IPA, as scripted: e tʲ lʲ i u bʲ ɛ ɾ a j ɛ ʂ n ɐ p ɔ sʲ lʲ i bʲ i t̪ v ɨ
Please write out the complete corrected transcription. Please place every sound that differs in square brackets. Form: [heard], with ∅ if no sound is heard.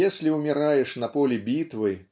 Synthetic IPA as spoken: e [sʲ] lʲ i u [mʲ] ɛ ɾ a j ɛ ʂ n ɐ p ɔ [∅] lʲ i bʲ i t̪ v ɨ